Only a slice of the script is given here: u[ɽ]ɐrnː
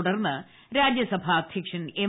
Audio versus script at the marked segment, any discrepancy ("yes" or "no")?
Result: no